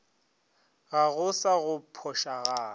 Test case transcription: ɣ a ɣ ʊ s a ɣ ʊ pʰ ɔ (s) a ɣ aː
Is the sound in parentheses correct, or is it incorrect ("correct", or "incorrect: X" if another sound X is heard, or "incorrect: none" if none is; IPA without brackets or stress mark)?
incorrect: ʃ